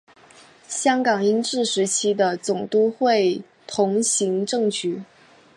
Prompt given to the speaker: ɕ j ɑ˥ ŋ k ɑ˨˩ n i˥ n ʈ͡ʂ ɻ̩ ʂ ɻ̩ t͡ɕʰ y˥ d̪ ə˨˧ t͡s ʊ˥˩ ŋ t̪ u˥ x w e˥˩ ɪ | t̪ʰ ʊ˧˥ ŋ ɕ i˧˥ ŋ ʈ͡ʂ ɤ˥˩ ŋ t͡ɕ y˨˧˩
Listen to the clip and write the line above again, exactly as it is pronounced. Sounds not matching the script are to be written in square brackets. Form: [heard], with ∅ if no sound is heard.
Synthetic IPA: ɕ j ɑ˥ ŋ k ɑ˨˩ [ŋ] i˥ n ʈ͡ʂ ɻ̩ ʂ ɻ̩ t͡ɕʰ [i˥] d̪ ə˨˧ t͡s [ʊ˨˩] ŋ t̪ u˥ x w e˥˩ ɪ | t̪ʰ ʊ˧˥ ŋ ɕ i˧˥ ŋ ʈ͡ʂ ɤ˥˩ ŋ t͡ɕ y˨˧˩